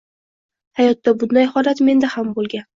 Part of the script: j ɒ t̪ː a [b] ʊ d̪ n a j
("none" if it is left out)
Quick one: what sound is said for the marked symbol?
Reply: b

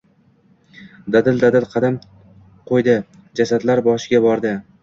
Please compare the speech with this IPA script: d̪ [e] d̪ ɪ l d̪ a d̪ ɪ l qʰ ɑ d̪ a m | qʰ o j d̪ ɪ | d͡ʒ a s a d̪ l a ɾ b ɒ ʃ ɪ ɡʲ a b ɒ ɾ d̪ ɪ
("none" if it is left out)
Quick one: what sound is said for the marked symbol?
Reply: a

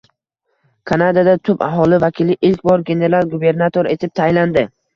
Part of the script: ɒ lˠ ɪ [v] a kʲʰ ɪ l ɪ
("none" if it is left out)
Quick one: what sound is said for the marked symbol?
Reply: v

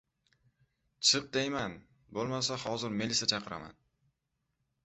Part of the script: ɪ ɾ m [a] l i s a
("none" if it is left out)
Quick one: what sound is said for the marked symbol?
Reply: e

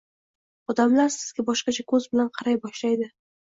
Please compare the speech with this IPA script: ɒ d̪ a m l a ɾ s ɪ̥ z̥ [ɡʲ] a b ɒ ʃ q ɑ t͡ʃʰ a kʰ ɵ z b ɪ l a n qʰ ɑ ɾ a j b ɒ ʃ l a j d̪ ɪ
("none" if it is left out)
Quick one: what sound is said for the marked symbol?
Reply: ɡʲ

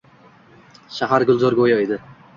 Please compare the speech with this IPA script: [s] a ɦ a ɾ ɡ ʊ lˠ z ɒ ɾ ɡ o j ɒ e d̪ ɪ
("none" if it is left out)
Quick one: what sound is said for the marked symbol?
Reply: ʃ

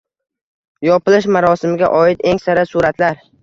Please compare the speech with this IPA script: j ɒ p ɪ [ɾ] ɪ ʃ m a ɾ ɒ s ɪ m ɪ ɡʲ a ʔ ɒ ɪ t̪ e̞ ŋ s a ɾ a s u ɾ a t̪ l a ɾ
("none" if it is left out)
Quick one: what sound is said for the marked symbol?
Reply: l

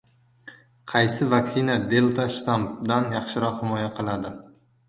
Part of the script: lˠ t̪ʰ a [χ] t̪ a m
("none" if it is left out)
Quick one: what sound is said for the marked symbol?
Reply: ʃ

